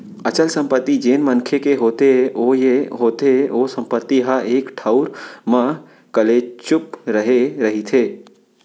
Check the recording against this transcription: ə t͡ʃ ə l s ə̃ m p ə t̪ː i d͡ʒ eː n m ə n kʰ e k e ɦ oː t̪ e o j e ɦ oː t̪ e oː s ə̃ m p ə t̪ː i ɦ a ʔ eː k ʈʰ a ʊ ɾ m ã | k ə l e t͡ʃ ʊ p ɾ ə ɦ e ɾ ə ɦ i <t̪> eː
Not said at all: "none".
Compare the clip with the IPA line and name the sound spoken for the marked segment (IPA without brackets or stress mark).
t̪ʰ